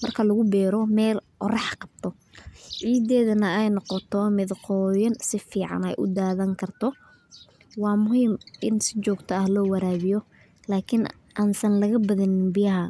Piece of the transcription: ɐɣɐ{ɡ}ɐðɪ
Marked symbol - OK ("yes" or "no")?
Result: no